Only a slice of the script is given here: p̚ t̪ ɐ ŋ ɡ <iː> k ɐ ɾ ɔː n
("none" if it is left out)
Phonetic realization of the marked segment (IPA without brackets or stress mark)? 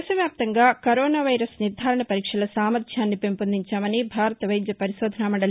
aː